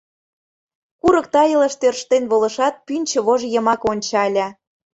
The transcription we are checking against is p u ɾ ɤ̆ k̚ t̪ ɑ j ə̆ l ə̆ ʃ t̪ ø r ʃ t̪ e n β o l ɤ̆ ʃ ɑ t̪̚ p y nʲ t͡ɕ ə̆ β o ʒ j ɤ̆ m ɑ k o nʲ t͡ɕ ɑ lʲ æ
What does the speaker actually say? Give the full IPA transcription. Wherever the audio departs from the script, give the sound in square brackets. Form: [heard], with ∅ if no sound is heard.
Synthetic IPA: [k] u ɾ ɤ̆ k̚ t̪ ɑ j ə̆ l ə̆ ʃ t̪ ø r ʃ t̪ e n β o l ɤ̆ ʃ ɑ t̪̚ p y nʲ t͡ɕ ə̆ β o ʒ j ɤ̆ m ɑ k o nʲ t͡ɕ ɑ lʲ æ